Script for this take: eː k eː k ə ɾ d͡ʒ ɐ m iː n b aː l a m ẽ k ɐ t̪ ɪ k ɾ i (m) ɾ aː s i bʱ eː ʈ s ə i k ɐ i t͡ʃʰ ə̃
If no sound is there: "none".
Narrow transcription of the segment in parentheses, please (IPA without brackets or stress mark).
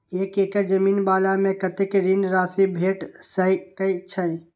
n